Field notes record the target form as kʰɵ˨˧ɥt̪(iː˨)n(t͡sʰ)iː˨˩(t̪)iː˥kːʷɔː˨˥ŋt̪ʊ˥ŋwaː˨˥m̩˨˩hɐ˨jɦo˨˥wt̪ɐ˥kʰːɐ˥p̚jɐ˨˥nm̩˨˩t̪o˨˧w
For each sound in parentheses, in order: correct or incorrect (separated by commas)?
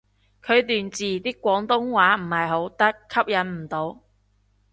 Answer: incorrect, incorrect, correct